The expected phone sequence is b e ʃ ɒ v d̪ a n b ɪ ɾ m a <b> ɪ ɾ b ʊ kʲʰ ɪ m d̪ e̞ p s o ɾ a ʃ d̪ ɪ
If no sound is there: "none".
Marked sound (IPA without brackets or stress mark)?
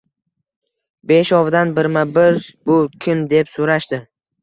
b